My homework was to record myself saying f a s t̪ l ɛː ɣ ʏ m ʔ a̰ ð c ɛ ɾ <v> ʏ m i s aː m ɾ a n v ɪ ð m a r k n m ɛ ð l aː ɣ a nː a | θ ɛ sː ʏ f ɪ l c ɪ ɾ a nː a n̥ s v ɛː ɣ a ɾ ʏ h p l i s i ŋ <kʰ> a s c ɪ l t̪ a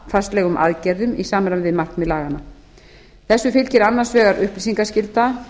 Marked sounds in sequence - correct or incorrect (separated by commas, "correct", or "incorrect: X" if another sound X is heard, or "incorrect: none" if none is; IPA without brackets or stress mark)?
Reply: incorrect: ð, incorrect: k